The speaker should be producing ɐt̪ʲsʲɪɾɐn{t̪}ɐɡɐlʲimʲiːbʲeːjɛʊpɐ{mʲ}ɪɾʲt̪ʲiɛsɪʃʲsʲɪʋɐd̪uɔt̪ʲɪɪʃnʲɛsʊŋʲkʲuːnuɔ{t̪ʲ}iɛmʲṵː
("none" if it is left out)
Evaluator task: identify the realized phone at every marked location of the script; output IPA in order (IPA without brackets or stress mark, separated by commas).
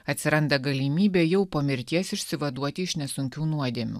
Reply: d̪, mʲ, d̪ʲ